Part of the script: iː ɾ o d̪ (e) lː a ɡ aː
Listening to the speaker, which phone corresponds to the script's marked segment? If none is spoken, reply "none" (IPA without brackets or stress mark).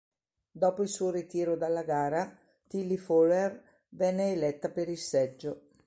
a